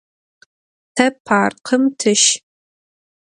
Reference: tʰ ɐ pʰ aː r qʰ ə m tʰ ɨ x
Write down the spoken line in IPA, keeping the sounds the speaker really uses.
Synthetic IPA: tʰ ɐ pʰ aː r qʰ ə m tʰ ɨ ʃ